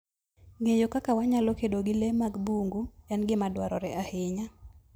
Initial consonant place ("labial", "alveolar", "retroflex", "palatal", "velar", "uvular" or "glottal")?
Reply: velar